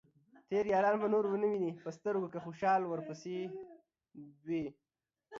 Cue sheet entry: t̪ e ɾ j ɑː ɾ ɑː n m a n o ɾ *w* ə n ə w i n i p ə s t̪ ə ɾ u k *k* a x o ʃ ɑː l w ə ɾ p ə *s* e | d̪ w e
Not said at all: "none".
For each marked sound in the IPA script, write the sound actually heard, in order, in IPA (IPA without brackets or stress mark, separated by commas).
w, k, s